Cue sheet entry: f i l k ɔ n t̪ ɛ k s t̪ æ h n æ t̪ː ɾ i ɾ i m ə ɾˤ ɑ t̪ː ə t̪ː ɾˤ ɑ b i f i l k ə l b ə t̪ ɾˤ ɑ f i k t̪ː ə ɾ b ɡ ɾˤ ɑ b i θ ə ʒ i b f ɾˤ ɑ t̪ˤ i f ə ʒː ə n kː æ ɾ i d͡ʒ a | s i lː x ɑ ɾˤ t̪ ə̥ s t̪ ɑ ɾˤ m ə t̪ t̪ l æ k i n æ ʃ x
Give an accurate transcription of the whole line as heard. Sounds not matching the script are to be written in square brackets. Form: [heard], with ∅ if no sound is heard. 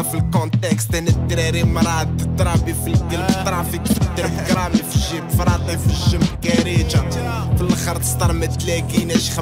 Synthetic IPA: f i l k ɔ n t̪ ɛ k s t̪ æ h n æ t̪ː ɾ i ɾ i m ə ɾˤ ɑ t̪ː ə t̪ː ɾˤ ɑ b i f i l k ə l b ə t̪ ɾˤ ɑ f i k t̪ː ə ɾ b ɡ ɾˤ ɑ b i [f] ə ʒ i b f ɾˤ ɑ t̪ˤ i f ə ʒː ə [m] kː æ ɾ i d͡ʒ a | [f] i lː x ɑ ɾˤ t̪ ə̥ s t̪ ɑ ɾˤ m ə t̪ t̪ l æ k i n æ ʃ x